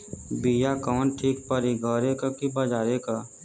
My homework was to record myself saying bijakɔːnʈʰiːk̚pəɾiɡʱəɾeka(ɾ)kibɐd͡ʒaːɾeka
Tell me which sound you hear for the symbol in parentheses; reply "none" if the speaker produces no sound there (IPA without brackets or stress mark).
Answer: none